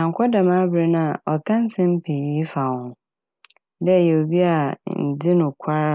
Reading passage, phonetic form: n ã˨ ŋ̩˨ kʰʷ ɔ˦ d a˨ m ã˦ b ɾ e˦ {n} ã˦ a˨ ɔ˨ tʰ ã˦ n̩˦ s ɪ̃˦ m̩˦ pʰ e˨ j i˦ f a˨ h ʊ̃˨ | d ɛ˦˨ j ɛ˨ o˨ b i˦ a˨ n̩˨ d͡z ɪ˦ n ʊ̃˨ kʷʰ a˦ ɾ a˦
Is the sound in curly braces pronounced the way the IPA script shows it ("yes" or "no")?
yes